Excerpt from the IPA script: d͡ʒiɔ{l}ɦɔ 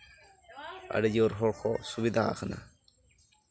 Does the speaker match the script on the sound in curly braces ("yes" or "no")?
no